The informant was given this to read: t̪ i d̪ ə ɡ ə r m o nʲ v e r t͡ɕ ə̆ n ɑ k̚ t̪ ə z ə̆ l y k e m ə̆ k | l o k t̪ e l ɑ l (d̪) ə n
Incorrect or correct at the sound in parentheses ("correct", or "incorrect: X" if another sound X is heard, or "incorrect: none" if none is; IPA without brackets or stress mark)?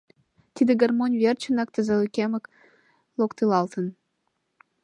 incorrect: t̪